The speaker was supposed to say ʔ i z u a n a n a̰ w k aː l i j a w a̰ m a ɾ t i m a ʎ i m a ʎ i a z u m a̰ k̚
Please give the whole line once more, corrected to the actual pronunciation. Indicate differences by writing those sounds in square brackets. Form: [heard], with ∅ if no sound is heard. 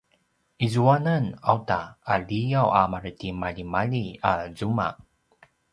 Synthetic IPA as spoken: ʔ i z u a n a n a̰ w [t] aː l i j a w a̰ m a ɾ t i m a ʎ i m a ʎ i a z u m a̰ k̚